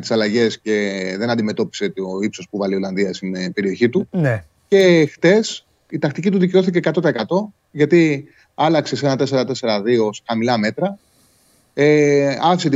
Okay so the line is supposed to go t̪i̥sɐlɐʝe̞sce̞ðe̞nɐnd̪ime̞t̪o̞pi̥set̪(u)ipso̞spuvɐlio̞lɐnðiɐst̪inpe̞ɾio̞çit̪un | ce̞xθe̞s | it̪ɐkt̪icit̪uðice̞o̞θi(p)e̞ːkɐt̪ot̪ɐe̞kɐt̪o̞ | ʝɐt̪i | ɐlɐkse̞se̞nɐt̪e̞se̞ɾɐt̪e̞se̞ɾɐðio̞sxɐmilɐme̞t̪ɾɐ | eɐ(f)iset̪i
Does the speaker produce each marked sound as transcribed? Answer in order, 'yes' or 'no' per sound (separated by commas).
no, no, yes